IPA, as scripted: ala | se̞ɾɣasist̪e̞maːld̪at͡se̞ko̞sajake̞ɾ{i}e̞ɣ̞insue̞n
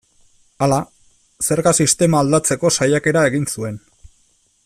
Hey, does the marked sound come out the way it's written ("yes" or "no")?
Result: no